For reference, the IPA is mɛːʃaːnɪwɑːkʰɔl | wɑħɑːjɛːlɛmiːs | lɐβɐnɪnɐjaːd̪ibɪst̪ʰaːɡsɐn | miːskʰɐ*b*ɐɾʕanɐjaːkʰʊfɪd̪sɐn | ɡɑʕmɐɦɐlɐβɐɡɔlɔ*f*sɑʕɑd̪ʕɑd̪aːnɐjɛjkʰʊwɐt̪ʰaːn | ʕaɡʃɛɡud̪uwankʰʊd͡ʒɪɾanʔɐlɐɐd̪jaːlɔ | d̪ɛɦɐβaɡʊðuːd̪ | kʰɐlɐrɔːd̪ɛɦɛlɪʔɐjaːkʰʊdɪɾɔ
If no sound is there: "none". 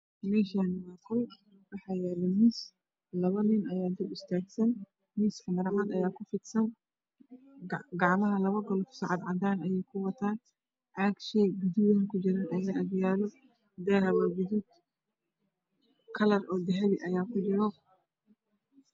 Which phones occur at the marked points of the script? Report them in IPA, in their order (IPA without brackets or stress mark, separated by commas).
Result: m, f